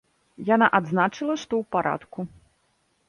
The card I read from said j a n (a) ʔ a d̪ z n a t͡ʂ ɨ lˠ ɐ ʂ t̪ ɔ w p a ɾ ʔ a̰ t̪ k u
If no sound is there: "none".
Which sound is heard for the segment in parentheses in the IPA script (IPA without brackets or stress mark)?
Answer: a